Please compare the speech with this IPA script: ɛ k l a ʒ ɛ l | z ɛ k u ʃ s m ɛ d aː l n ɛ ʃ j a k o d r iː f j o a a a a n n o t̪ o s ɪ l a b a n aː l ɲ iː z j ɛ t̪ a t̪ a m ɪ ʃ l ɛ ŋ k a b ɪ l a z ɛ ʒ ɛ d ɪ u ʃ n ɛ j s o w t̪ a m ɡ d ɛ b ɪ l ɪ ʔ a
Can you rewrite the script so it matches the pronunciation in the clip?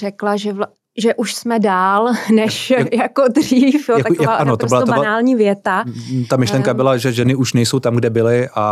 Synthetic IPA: ɛ k l a ʒ ɛ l | ʒ ɛ ʔ u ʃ s m ɛ d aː l n ɛ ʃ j a k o d r iː f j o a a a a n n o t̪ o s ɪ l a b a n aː l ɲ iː v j ɛ t̪ a t̪ a m ɪ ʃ l ɛ ŋ k a b ɪ l a ʒ ɛ ʒ ɛ n ɪ u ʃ n ɛ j s o w t̪ a m ɡ d ɛ b ɪ l ɪ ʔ a